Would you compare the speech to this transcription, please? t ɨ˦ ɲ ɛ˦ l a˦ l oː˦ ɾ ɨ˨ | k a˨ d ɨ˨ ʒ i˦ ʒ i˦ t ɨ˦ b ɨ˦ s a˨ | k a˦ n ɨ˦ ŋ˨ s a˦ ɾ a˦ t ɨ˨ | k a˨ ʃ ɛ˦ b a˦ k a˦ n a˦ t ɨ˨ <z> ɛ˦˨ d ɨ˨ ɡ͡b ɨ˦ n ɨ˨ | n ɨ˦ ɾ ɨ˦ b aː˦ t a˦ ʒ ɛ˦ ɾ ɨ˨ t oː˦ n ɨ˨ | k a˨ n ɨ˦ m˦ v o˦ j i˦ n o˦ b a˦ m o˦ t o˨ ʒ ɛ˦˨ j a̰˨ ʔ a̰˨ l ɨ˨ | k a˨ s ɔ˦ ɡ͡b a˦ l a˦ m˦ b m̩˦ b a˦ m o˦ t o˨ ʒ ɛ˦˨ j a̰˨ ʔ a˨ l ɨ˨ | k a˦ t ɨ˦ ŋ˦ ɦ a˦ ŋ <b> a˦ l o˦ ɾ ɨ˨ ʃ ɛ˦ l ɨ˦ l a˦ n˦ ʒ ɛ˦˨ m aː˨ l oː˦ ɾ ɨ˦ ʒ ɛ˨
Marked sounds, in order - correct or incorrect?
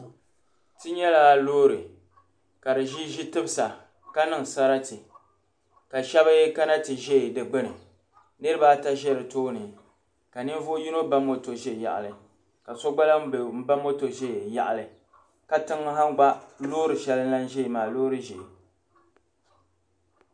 incorrect: ʒ, incorrect: ɡ͡b

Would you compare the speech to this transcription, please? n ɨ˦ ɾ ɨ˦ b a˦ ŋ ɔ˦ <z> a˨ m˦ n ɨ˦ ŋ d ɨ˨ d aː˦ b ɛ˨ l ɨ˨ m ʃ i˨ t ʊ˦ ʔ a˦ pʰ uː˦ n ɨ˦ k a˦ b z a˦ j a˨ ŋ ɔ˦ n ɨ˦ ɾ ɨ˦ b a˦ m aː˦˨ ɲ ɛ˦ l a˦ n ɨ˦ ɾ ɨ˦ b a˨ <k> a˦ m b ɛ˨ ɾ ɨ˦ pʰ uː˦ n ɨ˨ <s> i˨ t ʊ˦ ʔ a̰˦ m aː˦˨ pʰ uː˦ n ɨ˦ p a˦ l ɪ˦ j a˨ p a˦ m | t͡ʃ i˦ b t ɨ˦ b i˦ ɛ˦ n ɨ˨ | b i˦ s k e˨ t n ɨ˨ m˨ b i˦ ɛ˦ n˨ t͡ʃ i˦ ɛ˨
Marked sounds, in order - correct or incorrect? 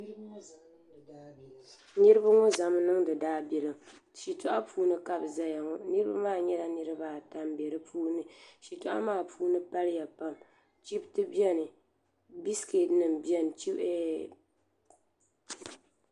correct, incorrect: t, incorrect: ʃ

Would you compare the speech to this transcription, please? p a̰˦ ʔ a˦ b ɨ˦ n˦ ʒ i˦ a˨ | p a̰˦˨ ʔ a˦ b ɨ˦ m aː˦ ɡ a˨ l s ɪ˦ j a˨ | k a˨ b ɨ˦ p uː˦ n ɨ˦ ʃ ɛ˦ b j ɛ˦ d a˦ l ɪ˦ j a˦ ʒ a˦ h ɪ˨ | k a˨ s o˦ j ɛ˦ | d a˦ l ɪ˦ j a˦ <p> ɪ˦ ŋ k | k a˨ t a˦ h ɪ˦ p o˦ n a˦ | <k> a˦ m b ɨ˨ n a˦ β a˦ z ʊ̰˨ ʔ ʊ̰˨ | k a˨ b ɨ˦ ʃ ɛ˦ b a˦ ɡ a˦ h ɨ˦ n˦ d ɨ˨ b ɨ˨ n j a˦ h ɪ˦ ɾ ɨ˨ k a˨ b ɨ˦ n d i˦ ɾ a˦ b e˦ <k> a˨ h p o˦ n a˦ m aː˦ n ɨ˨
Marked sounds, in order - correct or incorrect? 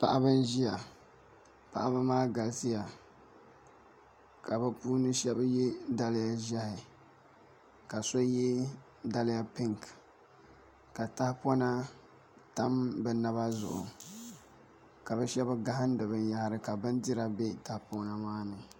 correct, incorrect: t, incorrect: t

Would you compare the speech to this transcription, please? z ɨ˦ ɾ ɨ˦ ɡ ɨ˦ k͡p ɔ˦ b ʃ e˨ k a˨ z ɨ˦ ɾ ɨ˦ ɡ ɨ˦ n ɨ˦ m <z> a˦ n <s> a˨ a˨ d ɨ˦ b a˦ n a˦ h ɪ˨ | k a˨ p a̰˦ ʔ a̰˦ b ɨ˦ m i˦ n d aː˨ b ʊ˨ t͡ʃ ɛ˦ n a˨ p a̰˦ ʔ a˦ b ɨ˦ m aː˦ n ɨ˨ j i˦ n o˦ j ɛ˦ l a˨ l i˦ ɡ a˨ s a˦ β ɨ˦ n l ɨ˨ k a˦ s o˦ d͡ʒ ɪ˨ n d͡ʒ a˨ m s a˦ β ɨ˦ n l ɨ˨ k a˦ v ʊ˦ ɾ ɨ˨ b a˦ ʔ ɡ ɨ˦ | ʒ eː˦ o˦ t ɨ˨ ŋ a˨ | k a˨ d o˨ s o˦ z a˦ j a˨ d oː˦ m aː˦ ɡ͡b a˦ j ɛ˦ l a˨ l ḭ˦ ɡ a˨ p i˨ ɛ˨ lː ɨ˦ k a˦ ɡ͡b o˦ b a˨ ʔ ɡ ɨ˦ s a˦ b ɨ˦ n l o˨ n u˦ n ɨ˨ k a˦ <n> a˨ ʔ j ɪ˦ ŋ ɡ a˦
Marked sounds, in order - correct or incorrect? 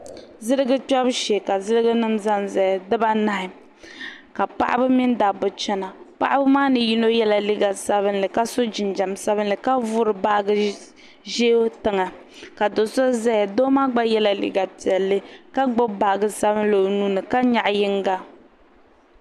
correct, incorrect: z, incorrect: ɲ

